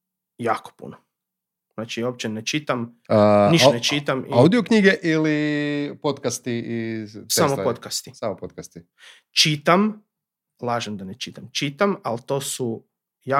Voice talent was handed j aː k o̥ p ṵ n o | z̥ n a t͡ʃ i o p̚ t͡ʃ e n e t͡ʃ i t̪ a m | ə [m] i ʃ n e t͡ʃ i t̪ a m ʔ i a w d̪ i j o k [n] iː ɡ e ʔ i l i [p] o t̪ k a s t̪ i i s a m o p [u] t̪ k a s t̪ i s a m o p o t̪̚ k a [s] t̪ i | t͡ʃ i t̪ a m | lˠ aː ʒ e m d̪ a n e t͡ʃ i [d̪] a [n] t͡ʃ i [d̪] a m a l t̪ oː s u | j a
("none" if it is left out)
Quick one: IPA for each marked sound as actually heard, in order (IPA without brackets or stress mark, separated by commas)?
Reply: n, ɲ, p, o, s, t̪, m, t̪